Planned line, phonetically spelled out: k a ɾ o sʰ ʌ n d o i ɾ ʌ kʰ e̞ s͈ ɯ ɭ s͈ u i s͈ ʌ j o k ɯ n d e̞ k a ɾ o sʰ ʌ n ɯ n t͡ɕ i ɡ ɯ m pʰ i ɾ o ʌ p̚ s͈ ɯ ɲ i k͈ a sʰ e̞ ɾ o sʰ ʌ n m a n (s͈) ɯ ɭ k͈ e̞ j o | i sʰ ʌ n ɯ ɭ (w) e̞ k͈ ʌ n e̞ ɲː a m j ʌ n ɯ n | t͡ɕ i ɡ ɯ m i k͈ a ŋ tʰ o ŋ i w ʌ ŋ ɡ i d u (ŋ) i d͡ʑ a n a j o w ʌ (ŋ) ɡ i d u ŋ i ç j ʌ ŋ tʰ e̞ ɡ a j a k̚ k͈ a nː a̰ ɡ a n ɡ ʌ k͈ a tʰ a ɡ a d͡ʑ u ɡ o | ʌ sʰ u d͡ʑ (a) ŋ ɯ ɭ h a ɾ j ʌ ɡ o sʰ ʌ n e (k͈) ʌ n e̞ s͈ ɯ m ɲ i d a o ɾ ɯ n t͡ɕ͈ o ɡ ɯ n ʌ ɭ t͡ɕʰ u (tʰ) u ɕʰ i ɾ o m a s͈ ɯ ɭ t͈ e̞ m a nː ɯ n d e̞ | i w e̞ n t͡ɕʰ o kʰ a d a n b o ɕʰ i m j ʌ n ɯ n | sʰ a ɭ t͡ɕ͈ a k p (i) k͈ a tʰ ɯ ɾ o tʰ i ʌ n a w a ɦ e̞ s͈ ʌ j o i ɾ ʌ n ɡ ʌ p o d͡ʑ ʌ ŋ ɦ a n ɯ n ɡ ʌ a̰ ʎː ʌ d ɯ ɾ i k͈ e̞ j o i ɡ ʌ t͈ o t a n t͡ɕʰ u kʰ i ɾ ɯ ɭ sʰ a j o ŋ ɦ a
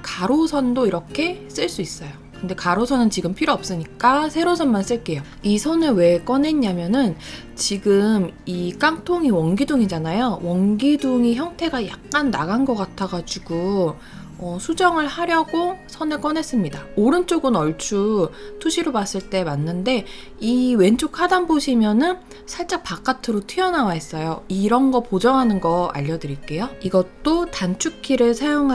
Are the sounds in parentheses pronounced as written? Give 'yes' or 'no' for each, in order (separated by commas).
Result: yes, yes, yes, yes, no, yes, yes, no